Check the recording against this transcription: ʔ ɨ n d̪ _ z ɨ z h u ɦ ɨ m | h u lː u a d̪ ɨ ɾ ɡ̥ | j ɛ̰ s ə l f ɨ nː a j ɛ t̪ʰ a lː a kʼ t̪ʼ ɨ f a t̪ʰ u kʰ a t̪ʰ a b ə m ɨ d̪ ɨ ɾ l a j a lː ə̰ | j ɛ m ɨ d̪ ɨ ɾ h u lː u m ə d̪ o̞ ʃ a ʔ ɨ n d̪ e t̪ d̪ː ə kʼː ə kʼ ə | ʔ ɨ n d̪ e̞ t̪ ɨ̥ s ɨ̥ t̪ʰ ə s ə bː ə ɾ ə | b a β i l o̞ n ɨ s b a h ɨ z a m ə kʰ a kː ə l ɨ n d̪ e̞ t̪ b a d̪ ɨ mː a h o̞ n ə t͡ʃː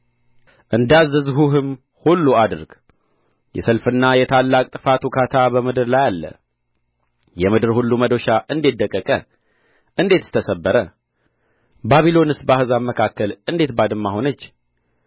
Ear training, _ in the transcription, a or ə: a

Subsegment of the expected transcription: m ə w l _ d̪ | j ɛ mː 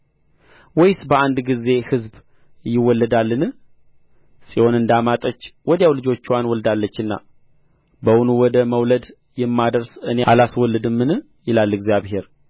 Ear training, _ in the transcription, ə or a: ə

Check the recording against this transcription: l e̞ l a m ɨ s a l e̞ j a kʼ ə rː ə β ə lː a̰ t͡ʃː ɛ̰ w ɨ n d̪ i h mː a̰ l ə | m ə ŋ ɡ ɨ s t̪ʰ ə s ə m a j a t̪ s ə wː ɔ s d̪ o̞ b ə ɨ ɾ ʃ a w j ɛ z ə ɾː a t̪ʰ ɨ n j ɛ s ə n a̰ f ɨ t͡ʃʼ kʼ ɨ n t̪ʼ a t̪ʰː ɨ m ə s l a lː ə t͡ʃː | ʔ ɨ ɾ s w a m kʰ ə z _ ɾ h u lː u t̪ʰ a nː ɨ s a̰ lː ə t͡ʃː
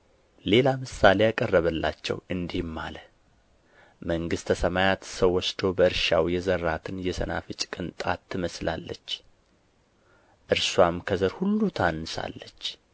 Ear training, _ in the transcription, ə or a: ə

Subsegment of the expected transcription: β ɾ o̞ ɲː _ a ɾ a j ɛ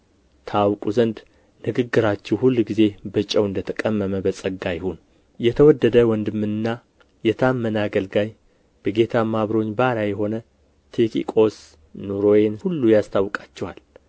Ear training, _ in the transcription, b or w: b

